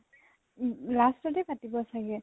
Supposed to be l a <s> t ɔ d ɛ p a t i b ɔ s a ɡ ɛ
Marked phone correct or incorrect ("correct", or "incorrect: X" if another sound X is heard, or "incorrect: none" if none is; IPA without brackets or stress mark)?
correct